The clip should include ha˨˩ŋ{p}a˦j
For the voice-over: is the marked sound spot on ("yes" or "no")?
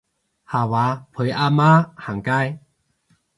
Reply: no